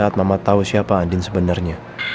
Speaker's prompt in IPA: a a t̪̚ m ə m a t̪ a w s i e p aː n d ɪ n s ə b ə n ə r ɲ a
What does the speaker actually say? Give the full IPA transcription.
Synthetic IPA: a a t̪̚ m a m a t̪ a u s i a p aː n d ɪ n s ə b ə n a r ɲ a